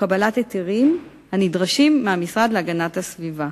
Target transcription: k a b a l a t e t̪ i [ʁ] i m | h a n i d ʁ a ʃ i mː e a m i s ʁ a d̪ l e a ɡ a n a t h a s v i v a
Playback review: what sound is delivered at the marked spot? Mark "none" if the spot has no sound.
ʁ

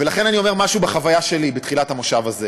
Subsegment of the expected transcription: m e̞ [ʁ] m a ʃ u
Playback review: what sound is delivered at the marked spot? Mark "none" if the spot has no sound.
ʁ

